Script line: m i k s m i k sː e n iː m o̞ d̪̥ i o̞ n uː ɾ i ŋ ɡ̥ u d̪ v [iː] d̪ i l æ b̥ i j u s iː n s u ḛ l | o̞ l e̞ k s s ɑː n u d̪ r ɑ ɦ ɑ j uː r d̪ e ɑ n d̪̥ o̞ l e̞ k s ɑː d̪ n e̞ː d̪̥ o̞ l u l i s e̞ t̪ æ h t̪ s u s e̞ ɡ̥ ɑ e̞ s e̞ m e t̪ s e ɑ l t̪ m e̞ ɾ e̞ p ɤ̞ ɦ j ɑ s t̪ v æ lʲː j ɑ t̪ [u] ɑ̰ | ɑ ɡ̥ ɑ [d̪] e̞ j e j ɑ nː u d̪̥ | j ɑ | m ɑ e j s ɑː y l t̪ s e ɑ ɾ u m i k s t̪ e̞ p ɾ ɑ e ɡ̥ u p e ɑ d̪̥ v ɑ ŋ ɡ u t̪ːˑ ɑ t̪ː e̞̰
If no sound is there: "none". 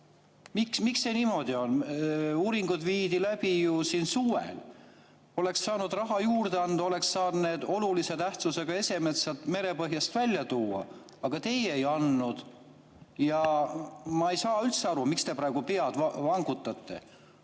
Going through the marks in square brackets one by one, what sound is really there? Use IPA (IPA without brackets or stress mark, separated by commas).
iː, uː, t̪